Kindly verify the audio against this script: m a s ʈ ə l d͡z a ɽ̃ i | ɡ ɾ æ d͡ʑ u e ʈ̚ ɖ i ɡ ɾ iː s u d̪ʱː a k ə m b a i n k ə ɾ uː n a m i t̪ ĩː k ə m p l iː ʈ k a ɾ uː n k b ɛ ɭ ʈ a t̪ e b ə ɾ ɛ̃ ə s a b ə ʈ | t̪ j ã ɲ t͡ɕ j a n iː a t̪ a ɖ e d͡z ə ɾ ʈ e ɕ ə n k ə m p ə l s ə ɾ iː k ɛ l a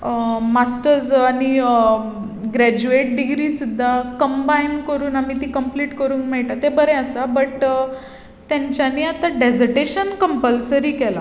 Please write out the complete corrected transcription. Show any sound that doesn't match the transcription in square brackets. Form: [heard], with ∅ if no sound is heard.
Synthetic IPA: m a s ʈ ə [ɾ] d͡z a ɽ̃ i | ɡ ɾ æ d͡ʑ u e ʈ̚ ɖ i ɡ ɾ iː s u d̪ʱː a k ə m b a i n k ə ɾ uː n a m i t̪ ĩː k ə m p l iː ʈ k [ə] ɾ uː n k [m] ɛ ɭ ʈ a t̪ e b ə ɾ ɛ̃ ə s a b ə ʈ | t̪ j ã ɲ t͡ɕ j a n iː a t̪ a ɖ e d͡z ə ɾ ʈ e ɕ ə n k ə m p ə l s ə ɾ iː k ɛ l a